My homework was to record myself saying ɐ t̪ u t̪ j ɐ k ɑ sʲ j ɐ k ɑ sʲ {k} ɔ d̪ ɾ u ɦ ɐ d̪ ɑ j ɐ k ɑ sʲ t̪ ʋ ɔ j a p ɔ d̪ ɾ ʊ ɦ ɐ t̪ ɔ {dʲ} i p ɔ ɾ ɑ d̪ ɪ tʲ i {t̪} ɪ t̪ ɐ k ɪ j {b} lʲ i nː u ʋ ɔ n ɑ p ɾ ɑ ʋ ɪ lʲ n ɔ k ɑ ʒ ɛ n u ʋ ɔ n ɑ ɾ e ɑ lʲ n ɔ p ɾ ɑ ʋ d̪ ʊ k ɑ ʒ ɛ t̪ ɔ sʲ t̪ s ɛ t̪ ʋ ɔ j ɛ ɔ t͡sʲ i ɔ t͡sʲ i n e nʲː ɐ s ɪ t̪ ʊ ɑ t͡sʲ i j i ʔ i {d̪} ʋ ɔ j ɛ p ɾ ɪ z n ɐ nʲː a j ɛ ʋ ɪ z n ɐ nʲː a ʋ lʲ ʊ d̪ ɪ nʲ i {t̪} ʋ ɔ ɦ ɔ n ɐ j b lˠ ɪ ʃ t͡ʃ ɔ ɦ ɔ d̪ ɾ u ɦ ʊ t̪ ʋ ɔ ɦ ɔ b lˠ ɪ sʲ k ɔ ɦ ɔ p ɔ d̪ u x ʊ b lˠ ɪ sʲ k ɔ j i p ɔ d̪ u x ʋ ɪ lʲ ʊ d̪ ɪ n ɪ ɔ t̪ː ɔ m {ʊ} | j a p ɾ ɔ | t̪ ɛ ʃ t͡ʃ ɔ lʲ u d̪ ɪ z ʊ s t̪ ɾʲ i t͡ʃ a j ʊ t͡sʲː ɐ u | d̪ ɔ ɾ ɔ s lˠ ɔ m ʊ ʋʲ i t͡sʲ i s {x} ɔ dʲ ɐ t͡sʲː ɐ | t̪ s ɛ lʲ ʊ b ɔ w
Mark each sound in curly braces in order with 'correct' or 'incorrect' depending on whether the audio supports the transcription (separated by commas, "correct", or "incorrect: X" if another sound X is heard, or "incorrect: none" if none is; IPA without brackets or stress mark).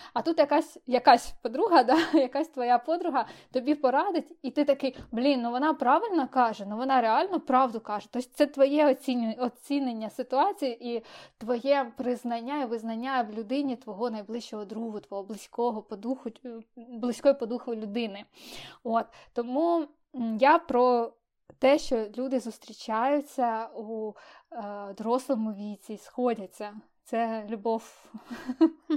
incorrect: p, incorrect: bʲ, correct, correct, incorrect: t̪, correct, incorrect: u, correct